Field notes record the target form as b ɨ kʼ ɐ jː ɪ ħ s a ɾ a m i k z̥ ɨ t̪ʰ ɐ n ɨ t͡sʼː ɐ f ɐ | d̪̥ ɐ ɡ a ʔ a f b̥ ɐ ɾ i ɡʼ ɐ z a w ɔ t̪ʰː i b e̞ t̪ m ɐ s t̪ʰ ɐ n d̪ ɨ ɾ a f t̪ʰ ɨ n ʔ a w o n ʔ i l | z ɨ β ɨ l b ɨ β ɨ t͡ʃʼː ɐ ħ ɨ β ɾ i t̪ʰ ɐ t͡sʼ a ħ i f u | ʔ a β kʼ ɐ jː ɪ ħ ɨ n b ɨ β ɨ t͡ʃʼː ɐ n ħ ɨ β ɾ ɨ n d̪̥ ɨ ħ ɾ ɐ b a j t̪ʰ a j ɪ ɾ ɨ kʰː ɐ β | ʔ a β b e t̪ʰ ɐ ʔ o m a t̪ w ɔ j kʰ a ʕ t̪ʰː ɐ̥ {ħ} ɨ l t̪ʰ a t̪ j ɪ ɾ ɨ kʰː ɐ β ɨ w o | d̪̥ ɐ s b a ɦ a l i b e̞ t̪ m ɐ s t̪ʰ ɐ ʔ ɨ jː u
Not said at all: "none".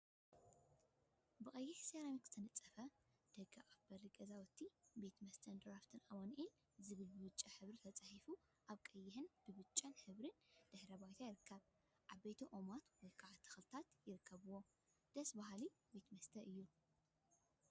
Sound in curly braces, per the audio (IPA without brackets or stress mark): x